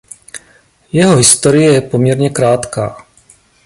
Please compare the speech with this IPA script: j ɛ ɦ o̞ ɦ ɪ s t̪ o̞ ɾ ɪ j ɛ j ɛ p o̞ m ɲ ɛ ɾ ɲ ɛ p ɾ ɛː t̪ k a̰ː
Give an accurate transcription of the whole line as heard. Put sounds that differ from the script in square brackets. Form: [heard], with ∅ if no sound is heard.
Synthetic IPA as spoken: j ɛ ɦ o̞ ɦ ɪ s t̪ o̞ ɾ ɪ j ɛ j ɛ p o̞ m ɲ ɛ ɾ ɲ ɛ [k] ɾ [aː] t̪ k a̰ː